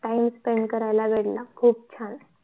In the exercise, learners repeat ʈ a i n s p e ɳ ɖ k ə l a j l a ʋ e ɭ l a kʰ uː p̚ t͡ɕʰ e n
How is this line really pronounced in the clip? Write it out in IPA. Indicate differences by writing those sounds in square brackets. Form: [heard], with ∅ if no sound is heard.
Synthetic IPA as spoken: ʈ a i [m] s p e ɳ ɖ k ə [ɾ] a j l a ʋ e [ɽ] l a kʰ uː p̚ t͡ɕʰ [a] n